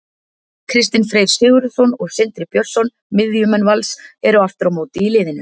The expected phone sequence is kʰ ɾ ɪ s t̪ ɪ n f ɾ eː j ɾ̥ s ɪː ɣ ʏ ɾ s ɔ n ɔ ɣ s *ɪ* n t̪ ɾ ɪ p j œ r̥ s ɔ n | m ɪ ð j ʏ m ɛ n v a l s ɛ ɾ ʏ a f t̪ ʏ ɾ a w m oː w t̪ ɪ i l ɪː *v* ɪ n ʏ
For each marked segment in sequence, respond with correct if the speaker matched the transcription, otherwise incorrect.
correct, incorrect: ð

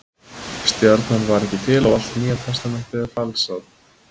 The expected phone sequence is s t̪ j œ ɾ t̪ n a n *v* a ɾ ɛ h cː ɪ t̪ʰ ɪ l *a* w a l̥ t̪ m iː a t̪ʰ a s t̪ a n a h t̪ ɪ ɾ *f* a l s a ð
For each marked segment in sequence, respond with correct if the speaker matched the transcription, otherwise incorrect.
correct, correct, correct

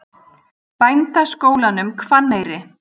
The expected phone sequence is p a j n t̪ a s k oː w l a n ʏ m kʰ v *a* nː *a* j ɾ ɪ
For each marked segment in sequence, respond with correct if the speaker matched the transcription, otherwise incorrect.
correct, incorrect: e

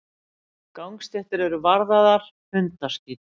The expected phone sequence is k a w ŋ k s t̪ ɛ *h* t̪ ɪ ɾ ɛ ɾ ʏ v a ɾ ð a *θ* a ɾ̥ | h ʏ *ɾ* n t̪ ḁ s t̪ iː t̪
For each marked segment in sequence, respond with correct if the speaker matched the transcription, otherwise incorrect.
correct, incorrect: ð, incorrect: none

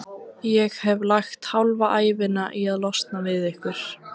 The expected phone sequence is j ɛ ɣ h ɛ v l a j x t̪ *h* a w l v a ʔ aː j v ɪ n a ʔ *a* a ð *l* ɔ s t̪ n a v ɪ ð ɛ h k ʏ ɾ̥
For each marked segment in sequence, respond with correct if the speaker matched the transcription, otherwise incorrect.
correct, incorrect: i, correct

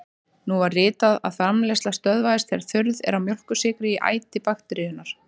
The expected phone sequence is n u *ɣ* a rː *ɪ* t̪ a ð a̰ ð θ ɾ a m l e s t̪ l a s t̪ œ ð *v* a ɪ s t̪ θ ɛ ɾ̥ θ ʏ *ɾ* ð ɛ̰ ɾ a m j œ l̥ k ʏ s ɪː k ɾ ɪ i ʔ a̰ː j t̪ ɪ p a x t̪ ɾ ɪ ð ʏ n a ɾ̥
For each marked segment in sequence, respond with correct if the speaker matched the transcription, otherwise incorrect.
incorrect: v, incorrect: ɪː, correct, correct

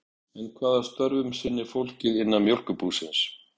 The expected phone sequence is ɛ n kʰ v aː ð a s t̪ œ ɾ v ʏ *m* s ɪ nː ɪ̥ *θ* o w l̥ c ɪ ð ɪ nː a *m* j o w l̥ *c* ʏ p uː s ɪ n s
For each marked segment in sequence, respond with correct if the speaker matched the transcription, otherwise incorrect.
correct, incorrect: f, correct, incorrect: k

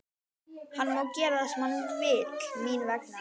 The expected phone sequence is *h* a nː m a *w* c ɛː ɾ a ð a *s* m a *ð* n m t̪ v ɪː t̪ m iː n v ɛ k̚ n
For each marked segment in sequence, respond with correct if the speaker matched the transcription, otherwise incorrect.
correct, correct, correct, incorrect: none

